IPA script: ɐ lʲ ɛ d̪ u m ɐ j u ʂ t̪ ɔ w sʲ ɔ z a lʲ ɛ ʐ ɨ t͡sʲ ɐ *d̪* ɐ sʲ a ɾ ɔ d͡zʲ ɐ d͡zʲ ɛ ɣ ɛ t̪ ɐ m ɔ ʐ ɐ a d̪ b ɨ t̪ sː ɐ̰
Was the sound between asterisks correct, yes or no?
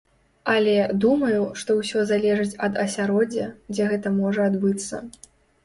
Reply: yes